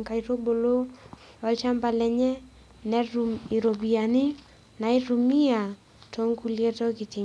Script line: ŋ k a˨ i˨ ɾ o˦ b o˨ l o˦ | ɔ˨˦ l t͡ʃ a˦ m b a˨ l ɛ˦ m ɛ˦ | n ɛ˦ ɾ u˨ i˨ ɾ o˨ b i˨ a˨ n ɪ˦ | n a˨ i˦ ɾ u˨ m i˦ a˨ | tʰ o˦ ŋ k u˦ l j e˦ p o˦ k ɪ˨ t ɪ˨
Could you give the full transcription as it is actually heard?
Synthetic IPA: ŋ k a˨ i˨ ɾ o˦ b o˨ l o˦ | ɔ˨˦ l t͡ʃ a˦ m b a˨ l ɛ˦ ɲ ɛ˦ | n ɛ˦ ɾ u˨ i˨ ɾ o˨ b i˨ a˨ n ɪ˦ | n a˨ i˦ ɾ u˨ m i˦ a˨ | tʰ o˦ ŋ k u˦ l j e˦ t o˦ k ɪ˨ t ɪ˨